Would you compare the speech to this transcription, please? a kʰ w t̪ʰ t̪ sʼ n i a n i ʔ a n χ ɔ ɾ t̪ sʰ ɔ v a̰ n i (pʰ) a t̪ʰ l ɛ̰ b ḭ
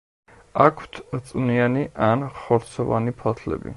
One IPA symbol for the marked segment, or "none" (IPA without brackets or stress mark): pʰ